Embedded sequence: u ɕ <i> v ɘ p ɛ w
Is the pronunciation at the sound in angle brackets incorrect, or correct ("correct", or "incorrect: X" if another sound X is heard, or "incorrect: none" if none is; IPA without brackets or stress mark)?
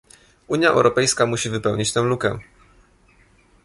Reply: correct